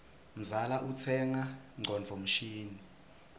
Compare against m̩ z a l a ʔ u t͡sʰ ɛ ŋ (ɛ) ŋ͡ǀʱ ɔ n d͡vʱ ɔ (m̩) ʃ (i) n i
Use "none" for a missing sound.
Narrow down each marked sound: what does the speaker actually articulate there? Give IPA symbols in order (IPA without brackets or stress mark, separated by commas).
a, m̩, iː